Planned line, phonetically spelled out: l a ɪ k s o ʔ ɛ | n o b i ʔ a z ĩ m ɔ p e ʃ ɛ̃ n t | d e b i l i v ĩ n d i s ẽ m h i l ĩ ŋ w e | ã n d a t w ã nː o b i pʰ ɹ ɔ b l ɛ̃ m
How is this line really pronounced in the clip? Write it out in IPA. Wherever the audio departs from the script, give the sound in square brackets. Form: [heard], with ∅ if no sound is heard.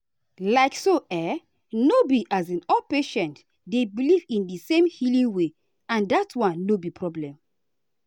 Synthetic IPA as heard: l a ɪ k s o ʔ ɛ | n o b i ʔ a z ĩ [n] ɔ p e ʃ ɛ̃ n t | d e b i l i v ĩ n d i s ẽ m h i l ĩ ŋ w e | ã n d a t w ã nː o b i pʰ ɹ ɔ b l ɛ̃ m